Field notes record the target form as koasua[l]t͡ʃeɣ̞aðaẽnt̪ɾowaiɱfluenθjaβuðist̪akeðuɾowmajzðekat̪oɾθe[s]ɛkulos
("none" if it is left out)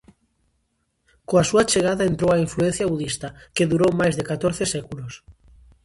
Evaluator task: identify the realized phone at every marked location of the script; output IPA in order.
none, s

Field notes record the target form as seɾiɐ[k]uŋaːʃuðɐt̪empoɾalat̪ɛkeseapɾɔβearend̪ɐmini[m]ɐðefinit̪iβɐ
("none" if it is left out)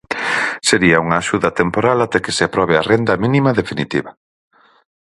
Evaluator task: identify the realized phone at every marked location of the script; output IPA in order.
none, m

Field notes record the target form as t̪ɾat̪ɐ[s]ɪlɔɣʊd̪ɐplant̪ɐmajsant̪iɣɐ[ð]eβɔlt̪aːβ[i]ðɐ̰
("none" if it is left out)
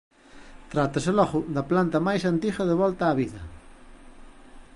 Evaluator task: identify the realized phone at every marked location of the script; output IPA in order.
s, ð, i

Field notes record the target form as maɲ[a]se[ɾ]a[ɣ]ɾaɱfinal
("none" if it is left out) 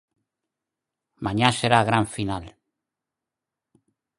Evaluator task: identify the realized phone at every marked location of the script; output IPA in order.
a, ɾ, ɣ

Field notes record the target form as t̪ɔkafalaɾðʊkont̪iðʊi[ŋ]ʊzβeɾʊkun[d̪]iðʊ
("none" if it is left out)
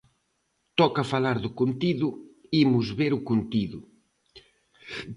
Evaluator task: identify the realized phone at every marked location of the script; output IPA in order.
m, t̪

